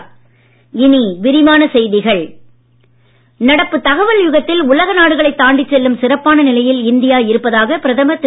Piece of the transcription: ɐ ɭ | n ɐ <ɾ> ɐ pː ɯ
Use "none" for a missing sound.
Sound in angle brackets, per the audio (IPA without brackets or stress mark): ɽ